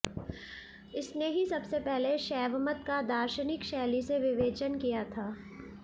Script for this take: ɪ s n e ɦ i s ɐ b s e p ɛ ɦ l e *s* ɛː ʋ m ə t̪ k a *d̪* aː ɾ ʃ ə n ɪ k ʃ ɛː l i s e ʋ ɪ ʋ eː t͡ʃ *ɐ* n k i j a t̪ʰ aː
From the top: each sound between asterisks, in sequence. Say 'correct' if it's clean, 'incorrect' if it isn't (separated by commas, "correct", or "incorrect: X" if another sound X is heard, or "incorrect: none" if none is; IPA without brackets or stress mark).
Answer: incorrect: ʃ, correct, incorrect: ə